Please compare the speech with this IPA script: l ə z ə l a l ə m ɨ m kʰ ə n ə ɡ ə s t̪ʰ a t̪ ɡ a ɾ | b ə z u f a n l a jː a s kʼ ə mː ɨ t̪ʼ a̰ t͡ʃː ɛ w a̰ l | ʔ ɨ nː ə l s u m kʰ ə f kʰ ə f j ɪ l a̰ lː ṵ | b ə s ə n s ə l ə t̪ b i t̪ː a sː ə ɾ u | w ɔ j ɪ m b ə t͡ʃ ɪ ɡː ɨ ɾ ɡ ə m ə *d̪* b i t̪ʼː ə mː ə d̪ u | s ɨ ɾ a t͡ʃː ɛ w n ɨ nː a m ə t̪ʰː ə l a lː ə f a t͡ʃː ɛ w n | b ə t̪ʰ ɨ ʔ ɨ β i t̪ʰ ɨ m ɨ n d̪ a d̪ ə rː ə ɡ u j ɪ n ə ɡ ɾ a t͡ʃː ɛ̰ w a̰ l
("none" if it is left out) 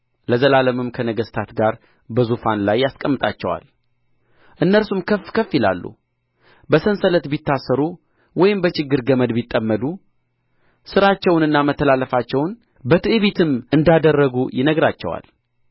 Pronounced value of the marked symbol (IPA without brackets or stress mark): d̪